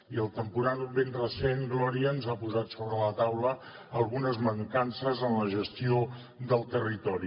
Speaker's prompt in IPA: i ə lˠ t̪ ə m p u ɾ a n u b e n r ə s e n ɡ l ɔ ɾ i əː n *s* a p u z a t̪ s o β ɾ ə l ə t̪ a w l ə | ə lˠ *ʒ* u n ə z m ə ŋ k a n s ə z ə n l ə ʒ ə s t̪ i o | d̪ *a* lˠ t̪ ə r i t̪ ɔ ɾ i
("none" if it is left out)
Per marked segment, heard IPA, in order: z, ɣ, ə

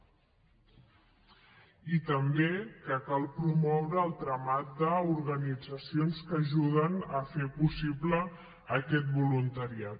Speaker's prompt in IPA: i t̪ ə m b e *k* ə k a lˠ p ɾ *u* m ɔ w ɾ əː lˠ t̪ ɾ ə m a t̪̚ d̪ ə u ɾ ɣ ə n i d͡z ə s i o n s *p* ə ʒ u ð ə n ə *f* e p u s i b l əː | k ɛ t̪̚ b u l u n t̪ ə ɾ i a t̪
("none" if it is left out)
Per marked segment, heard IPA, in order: k, u, k, f

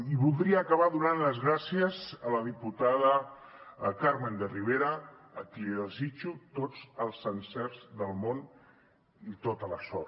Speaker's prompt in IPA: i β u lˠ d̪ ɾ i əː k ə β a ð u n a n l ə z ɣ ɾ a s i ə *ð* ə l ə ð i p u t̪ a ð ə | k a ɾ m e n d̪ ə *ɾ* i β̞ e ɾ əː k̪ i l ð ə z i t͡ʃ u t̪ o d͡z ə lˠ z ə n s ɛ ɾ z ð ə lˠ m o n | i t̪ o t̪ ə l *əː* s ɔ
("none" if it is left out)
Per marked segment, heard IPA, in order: z, r, ə

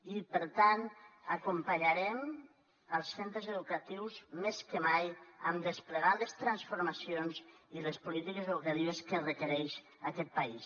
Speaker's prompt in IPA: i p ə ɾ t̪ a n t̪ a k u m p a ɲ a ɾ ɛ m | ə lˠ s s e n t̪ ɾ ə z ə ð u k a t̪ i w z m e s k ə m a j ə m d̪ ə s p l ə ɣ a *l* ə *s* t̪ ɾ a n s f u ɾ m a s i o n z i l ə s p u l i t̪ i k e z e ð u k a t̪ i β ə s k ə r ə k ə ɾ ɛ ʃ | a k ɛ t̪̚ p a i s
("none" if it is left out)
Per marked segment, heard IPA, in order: l, s

